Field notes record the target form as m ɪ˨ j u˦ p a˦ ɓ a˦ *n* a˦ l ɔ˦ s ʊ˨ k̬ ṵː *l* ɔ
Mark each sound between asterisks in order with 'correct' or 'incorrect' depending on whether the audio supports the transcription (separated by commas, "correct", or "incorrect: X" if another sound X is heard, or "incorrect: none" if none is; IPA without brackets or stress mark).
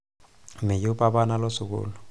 correct, correct